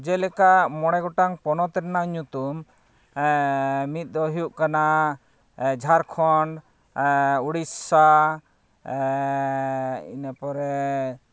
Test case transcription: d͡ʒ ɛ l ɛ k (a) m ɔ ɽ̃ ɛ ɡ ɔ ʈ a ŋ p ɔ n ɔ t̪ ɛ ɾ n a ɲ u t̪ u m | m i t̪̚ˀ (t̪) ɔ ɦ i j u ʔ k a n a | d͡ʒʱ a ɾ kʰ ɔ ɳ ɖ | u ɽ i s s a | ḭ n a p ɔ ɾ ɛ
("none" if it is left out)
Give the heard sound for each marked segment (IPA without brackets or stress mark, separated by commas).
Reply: a, d̪